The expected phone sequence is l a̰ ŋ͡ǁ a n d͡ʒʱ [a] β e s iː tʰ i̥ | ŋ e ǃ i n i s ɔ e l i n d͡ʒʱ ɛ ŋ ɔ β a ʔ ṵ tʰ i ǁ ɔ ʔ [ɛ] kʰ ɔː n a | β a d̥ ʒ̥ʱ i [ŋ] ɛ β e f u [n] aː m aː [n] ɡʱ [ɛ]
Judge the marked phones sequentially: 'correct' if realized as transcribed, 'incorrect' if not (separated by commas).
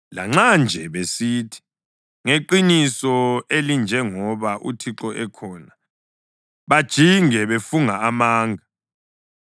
incorrect, correct, correct, incorrect, incorrect, incorrect